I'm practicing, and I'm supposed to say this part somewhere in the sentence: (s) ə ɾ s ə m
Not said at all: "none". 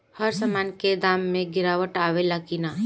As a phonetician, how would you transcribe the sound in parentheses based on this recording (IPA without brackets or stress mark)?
h